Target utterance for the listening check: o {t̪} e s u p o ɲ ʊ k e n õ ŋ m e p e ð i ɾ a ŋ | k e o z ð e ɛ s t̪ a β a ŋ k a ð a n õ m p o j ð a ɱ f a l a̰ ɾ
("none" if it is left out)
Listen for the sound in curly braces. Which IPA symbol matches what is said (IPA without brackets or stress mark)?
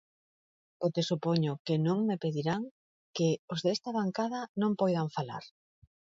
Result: t̪